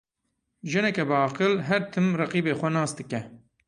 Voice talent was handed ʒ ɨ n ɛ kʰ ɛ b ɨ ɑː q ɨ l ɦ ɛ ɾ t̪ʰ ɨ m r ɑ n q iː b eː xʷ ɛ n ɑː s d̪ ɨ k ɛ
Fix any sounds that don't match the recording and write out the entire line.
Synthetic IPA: ʒ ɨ n ɛ k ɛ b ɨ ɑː q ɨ l ɦ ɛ ɾ t̪ʰ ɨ m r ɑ q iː b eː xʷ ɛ n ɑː s d̪ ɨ k ɛ